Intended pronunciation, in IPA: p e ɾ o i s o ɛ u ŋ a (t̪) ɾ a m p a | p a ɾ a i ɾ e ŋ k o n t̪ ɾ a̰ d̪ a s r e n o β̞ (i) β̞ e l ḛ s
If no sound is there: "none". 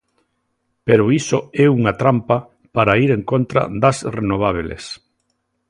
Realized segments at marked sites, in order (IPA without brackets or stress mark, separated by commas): t̪, a